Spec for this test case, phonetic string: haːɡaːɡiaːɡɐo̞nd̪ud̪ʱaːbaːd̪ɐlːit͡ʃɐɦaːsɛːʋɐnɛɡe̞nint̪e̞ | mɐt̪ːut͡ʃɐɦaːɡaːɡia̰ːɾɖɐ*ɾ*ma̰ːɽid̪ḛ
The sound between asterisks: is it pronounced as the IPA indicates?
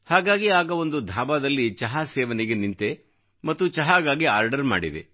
yes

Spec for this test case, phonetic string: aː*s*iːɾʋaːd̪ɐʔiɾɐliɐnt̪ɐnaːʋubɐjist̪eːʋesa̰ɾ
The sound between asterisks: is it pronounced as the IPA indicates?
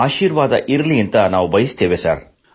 no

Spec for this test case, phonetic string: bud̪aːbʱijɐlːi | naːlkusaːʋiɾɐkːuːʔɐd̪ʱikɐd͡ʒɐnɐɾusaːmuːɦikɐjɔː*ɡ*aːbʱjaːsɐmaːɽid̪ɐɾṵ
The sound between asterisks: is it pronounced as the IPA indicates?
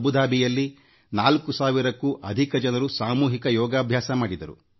yes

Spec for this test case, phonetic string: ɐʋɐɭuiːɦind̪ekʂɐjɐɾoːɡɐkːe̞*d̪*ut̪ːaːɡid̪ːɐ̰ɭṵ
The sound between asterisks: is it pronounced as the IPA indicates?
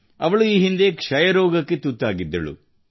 no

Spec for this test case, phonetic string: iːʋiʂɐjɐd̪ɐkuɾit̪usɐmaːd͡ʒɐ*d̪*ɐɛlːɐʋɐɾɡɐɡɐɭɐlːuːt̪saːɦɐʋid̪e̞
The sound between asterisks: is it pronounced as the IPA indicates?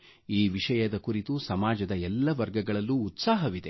yes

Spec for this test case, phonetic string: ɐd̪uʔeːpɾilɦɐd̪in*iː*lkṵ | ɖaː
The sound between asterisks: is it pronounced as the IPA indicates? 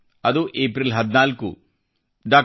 no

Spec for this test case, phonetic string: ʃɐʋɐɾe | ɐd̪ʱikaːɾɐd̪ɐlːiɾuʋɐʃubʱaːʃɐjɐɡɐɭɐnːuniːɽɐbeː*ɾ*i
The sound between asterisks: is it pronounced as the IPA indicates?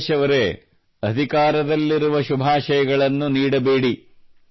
no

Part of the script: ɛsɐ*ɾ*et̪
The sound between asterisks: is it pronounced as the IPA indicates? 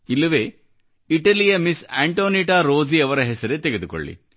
yes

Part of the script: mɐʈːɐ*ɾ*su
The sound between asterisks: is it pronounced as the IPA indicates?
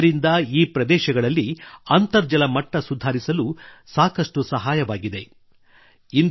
no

